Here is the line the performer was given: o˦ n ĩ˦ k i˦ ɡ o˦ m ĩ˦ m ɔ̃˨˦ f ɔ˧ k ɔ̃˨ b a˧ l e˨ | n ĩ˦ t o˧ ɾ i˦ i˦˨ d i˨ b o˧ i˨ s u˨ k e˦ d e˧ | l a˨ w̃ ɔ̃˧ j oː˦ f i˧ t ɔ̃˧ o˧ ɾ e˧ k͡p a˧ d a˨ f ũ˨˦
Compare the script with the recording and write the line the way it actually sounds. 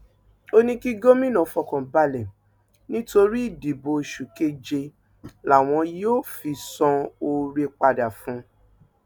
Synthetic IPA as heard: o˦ n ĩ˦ k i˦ ɡ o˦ m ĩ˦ n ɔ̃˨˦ f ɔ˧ k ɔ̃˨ b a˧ l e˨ | n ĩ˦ t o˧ ɾ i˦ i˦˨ d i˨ b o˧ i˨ ʃ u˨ k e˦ d͡ʒ e˧ | l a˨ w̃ ɔ̃˧ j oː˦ f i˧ s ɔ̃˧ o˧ ɾ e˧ k͡p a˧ d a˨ f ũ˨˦